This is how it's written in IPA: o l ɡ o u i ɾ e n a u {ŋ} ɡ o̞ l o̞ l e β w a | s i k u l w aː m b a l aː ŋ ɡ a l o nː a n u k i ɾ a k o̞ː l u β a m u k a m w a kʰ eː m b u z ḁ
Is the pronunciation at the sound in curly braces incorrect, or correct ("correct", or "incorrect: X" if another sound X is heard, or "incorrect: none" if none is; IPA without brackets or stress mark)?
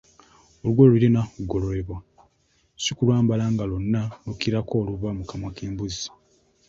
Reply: incorrect: none